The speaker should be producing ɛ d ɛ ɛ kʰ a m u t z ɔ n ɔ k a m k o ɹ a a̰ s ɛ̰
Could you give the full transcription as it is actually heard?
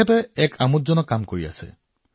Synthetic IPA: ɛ t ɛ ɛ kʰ a m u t z ɔ n ɔ k a m k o ɹ i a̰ s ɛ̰